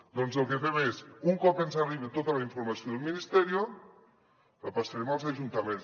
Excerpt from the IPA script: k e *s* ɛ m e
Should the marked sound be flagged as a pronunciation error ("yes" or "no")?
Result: yes